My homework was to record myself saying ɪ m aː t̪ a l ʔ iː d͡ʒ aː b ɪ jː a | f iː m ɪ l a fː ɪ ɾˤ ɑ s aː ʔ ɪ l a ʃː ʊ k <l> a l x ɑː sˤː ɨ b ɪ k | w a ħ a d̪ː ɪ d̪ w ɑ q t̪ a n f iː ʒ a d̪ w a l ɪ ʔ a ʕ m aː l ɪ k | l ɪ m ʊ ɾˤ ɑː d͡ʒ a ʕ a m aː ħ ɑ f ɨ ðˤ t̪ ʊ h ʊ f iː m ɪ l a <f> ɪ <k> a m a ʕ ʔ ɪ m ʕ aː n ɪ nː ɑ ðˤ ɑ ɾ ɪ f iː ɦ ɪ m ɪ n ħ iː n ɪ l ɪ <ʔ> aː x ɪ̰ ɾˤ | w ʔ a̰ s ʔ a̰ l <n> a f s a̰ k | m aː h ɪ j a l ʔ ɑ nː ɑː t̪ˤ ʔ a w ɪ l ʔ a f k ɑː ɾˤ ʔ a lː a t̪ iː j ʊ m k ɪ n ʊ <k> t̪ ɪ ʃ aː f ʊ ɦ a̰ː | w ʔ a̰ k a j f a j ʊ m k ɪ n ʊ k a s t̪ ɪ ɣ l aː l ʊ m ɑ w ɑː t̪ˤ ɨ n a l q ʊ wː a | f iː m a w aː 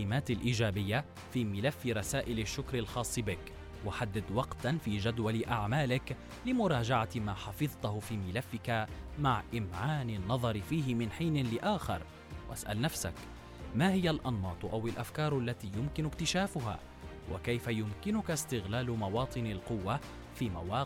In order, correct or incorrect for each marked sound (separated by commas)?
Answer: incorrect, incorrect, correct, correct, correct, correct